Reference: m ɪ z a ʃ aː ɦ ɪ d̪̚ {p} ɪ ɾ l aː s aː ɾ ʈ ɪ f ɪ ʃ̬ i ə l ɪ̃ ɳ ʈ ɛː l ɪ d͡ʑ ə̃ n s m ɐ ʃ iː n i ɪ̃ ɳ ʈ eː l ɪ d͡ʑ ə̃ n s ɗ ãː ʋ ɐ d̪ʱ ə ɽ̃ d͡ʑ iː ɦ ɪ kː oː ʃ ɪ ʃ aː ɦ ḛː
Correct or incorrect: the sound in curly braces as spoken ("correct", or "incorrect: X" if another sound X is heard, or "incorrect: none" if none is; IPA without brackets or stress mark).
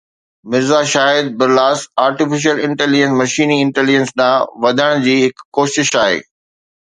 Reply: incorrect: b